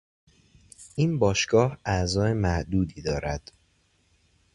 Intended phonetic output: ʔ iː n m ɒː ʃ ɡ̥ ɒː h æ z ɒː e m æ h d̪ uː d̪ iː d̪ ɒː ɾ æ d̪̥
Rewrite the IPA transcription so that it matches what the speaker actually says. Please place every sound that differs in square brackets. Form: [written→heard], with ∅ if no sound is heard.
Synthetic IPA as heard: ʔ iː n [m→b] ɒː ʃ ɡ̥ ɒː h æ z ɒː e m æ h d̪ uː d̪ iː d̪ ɒː ɾ æ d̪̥